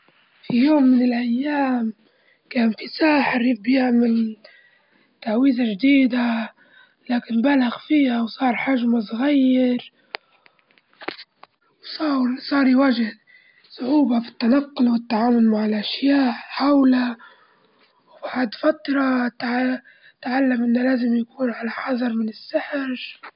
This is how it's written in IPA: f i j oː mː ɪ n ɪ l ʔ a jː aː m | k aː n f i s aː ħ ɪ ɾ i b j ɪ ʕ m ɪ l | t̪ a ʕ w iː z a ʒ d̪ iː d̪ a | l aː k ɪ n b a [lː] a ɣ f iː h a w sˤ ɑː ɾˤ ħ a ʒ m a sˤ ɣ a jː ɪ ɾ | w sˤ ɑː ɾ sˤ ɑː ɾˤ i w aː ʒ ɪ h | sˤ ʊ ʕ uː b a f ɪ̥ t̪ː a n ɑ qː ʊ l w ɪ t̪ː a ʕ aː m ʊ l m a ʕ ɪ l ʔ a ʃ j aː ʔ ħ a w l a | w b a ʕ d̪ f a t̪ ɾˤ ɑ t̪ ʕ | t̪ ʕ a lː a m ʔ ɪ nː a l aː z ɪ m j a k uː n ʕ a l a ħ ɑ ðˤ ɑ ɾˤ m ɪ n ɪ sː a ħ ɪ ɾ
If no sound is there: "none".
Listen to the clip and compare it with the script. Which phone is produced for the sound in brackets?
l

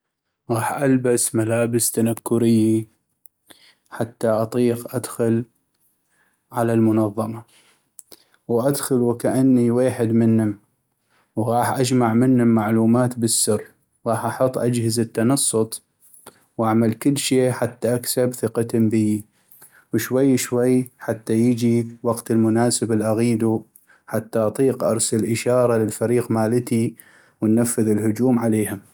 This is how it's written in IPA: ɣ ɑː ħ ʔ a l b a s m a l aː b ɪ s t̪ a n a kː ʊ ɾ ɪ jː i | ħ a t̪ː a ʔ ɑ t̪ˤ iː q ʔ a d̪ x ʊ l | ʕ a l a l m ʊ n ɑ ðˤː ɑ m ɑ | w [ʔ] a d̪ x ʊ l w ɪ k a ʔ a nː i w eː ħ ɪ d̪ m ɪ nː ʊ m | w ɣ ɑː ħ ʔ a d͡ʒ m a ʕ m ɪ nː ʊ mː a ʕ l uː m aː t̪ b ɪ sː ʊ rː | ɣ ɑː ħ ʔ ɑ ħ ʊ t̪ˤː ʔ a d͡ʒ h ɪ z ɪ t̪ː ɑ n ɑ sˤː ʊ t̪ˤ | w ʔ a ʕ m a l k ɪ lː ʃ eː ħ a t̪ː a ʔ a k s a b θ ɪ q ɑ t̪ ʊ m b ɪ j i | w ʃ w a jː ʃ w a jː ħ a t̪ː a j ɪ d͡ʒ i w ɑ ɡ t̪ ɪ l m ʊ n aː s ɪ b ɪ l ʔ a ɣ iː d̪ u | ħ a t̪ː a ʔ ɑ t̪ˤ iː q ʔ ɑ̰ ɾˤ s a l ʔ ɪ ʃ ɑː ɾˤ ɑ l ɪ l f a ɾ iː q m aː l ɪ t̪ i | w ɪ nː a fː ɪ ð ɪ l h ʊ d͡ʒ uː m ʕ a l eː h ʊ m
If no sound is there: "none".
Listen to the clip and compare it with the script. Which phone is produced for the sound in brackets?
ʔ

